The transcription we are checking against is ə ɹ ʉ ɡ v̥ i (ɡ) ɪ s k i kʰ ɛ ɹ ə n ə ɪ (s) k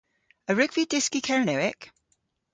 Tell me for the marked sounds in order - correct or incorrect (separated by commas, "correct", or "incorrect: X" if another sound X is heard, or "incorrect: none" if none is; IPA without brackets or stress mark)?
incorrect: d, incorrect: none